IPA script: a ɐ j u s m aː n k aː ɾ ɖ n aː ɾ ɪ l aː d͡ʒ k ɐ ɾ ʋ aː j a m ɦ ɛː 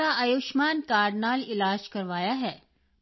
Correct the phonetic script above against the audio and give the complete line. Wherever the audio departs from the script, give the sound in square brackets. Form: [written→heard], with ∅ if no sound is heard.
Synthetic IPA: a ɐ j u [s→ʃ] m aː n k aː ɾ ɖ n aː [ɾ→l] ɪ l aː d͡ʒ k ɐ ɾ ʋ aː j a [m→∅] ɦ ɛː